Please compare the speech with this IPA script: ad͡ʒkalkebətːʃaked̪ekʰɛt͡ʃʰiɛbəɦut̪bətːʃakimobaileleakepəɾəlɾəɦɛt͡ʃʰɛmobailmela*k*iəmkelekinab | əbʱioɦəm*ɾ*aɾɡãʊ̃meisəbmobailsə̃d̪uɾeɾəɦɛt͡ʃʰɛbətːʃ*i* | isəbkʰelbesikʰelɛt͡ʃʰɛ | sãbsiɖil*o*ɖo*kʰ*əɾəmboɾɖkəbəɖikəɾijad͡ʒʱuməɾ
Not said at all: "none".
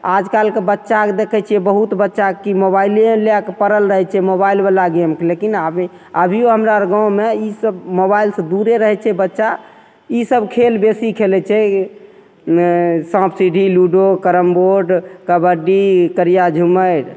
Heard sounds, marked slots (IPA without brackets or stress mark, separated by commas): ɡ, ɾ, a, u, k